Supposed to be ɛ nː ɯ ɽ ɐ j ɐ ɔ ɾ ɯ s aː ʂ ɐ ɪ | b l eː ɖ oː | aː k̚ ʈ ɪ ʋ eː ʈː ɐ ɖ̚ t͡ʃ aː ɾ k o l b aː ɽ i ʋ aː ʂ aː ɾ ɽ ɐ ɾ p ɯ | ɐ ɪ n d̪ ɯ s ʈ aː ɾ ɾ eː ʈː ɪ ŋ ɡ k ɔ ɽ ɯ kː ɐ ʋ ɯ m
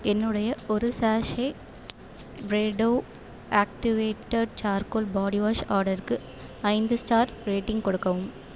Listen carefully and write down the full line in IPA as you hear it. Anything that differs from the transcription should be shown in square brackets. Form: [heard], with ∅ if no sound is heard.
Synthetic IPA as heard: ɛ nː ɯ ɽ ɐ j ɐ ɔ ɾ ɯ s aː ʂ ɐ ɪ | b [ɾ] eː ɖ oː | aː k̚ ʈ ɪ ʋ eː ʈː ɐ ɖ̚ t͡ʃ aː ɾ k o l b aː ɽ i ʋ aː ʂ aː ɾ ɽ ɐ ɾ [k] ɯ | ɐ ɪ n d̪ ɯ s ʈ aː ɾ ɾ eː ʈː ɪ ŋ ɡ k ɔ ɽ ɯ kː ɐ ʋ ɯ m